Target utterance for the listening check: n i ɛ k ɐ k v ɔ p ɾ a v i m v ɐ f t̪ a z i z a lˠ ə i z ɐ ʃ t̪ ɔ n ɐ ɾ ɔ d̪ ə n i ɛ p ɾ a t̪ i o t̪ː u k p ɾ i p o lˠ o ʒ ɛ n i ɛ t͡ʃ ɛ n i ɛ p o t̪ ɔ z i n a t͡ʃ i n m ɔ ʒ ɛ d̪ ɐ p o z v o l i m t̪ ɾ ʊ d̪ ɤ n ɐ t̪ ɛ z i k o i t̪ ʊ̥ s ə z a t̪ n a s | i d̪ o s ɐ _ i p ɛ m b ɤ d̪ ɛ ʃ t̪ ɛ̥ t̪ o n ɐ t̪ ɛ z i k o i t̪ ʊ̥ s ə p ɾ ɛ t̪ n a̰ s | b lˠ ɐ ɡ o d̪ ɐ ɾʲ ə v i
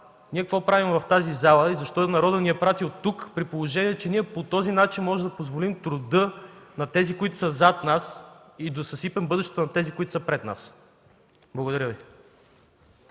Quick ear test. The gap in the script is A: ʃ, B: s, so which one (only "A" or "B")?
B